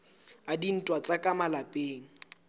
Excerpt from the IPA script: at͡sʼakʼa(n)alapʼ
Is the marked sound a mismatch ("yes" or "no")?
yes